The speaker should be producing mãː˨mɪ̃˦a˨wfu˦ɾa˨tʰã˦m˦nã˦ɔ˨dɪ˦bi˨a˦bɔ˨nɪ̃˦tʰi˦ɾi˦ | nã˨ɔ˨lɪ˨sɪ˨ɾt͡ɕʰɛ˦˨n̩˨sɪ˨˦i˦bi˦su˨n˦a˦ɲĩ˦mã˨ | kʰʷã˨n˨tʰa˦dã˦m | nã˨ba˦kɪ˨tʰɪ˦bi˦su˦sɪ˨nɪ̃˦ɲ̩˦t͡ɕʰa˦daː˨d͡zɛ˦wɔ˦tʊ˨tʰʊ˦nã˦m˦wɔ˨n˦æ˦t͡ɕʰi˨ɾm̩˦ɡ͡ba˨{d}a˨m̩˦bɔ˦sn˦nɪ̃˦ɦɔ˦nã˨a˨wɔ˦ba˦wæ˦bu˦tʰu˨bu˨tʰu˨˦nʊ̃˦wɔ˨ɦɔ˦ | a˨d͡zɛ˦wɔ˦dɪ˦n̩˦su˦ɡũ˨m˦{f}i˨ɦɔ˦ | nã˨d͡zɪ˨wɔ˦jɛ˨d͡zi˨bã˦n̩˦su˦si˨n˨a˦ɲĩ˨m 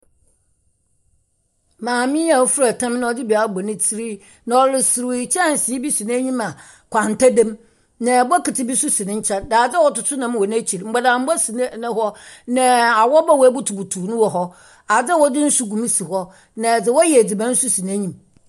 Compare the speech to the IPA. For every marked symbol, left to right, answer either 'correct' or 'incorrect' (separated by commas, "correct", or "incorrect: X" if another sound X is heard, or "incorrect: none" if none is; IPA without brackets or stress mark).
correct, incorrect: s